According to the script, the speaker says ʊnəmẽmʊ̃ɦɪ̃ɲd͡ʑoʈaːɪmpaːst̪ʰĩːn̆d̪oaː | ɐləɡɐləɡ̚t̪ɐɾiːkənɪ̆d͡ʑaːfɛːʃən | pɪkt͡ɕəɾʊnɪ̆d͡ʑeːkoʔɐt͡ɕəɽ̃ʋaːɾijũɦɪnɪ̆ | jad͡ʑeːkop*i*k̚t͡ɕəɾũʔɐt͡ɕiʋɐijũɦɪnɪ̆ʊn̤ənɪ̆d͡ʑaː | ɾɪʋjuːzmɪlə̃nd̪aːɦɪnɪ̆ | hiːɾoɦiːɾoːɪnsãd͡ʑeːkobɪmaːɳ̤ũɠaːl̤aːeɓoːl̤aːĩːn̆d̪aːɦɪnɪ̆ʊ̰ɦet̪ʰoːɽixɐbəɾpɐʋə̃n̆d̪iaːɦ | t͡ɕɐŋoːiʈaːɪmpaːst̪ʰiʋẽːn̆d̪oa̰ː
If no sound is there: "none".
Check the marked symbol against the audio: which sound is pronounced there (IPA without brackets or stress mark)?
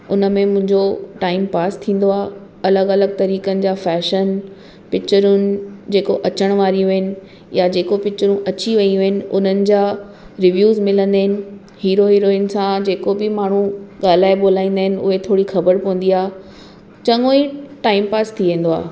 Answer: ɪ